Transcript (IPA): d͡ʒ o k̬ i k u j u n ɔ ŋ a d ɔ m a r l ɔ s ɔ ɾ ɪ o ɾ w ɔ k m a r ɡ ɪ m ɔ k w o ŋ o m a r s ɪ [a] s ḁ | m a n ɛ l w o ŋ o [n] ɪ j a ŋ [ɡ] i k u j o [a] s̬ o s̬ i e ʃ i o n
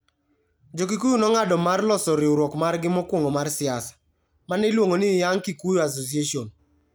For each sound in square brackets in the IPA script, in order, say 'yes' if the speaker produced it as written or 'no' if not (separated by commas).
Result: yes, yes, no, yes